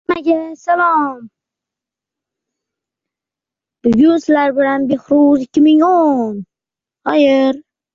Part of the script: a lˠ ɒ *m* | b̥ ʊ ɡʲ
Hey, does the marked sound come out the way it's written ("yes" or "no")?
yes